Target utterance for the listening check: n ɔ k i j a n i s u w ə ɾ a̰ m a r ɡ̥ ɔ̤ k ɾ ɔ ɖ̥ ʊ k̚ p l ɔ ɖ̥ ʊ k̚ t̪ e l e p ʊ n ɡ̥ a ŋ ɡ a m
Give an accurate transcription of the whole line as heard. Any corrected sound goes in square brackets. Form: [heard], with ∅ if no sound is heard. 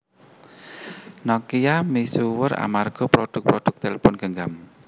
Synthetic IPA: n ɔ k i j a [m] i s u w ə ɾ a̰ m a r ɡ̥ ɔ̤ [p] ɾ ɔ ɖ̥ ʊ k̚ p [ɾ] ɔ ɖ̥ ʊ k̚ t̪ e l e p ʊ n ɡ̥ [ə] ŋ ɡ a m